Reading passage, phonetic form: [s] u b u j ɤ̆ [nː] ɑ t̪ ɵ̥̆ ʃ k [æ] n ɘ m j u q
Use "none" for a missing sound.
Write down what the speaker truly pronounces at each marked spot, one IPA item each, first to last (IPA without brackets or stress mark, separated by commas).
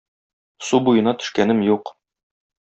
s, n, æ